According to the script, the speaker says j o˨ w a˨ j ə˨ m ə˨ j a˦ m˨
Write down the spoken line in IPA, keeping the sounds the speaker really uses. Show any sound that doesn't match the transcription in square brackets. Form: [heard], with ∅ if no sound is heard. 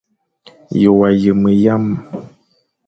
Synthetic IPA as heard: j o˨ w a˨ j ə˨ m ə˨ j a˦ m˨